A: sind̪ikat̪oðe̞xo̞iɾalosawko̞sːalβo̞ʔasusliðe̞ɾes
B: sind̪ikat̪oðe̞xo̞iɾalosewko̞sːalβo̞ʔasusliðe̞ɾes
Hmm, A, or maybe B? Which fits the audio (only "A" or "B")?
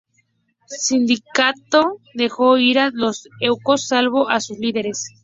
B